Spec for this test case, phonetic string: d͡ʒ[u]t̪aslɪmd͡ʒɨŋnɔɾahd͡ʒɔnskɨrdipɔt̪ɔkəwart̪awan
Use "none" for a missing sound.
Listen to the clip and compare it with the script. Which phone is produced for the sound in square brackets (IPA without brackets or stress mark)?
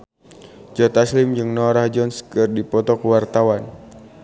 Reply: ɔ